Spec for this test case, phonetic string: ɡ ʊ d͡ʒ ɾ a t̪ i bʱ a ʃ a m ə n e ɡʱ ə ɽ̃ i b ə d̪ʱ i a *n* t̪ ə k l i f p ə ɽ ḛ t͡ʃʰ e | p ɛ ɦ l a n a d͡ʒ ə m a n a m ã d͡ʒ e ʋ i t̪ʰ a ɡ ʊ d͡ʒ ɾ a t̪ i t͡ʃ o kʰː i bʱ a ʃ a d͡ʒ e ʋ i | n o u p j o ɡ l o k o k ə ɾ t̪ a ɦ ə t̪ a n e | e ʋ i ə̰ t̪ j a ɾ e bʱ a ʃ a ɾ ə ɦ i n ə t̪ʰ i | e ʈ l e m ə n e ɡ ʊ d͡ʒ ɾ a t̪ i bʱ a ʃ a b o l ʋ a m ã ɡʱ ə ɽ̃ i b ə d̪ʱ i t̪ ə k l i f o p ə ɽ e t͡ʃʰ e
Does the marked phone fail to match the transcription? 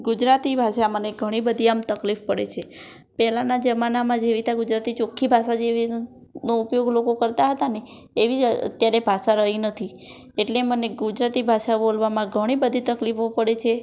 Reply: yes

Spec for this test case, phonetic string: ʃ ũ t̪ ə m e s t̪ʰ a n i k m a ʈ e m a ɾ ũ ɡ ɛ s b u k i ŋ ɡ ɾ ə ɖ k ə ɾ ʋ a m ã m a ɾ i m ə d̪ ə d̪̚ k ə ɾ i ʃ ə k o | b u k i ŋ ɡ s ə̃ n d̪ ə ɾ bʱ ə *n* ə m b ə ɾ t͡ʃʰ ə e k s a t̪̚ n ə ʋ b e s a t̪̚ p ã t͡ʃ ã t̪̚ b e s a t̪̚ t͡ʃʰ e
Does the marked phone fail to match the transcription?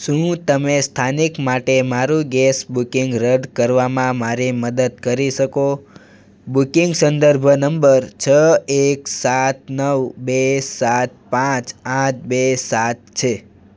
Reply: no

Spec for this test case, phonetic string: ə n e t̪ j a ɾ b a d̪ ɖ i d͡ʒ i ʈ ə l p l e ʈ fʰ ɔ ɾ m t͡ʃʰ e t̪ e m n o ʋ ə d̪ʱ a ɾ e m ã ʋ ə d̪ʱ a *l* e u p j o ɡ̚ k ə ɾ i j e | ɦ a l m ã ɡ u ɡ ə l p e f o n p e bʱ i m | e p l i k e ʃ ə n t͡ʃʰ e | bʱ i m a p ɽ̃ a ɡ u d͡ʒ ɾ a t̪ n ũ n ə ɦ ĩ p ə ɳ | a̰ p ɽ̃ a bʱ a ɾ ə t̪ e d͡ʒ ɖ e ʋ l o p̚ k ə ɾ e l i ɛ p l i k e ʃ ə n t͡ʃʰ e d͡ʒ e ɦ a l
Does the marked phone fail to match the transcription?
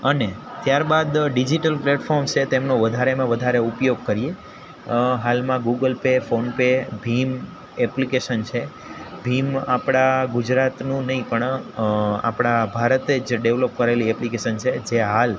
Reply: yes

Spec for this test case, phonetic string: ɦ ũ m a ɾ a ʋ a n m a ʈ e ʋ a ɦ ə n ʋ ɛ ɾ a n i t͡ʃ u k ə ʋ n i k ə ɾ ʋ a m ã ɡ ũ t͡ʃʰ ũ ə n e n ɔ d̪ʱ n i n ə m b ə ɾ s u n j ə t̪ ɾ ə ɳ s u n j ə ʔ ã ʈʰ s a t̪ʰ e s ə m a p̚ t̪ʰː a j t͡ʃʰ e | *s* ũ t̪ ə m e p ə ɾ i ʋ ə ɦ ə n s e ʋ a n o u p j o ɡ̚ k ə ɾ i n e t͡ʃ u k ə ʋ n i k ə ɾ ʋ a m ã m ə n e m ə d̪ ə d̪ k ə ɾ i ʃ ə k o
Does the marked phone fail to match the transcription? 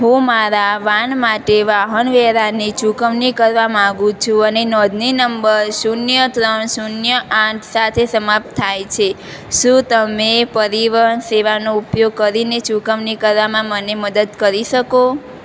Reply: yes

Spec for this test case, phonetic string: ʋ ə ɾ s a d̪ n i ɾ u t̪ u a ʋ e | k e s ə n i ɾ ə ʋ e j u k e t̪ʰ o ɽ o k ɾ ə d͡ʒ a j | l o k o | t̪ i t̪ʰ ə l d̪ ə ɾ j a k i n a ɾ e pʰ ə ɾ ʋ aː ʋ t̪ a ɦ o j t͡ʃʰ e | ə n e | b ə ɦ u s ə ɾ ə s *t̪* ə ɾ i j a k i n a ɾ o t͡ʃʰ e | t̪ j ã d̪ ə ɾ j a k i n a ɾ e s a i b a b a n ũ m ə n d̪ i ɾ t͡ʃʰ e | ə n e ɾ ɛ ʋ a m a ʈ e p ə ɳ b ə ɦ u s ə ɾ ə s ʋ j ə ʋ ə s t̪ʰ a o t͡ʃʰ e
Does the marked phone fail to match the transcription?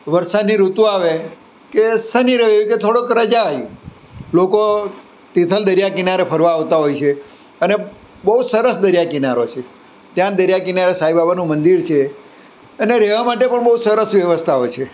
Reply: yes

